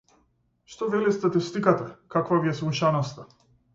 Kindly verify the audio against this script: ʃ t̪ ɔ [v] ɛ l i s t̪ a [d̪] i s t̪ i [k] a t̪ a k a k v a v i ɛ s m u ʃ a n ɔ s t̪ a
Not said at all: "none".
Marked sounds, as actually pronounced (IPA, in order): v, t̪, k

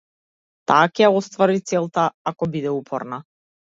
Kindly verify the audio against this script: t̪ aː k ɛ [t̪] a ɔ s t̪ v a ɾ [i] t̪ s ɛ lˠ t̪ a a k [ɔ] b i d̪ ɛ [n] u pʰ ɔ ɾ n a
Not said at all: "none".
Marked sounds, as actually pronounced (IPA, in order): none, i, ɔ, none

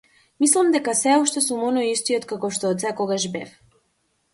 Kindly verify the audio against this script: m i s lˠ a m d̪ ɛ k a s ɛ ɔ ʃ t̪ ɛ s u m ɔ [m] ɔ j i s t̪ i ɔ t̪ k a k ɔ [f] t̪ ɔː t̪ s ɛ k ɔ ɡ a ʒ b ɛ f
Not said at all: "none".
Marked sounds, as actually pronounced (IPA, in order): n, ʃ

